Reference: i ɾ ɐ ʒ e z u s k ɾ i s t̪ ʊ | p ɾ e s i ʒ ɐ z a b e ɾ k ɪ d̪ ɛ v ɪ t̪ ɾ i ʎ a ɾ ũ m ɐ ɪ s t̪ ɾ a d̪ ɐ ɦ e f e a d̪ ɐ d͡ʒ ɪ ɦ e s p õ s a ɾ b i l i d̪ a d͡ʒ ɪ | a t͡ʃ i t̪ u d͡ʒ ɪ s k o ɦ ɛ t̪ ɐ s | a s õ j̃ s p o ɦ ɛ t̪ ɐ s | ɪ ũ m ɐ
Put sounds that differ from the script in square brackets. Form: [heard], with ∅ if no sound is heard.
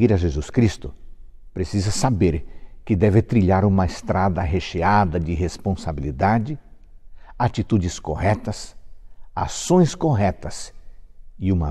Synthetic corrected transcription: i ɾ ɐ ʒ e z u s k ɾ i s t̪ ʊ | p ɾ e s i [z] ɐ [s] a b e ɾ k ɪ d̪ ɛ v ɪ t̪ ɾ i ʎ a ɾ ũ m ɐ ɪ s t̪ ɾ a d̪ ɐ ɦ e [ʃ] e a d̪ ɐ d͡ʒ ɪ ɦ e s p õ s a [∅] b i l i d̪ a d͡ʒ ɪ | a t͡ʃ i t̪ u d͡ʒ ɪ s k o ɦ ɛ t̪ ɐ s | a s õ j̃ s [k] o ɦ ɛ t̪ ɐ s | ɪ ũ m ɐ